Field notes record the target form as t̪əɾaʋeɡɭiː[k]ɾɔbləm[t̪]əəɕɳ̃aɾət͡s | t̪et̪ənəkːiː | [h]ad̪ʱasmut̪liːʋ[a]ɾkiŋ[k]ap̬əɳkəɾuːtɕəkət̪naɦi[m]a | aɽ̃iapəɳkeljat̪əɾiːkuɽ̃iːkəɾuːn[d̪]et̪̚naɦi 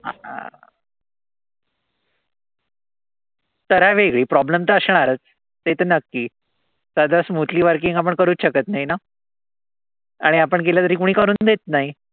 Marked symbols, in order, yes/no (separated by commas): no, yes, no, no, no, no, yes